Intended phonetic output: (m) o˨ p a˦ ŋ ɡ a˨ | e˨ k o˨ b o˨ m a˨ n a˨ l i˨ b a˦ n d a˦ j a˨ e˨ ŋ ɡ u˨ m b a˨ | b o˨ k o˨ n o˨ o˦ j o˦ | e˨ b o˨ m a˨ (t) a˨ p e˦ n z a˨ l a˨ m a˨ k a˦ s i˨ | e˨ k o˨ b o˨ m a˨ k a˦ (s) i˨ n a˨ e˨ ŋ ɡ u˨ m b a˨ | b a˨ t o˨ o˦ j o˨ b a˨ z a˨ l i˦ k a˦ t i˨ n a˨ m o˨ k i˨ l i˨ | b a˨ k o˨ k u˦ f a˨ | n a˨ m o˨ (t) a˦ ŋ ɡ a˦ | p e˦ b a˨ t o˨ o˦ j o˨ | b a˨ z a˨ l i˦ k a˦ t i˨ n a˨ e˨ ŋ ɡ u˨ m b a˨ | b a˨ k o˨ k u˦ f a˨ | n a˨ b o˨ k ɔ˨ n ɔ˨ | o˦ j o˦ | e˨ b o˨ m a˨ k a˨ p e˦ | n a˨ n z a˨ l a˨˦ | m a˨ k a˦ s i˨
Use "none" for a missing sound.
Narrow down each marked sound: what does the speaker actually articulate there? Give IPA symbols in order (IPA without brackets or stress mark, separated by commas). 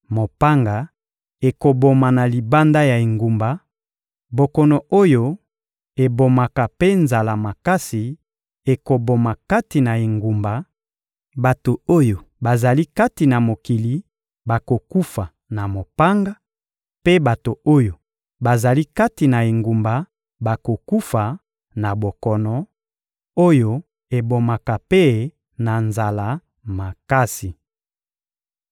m, k, t, p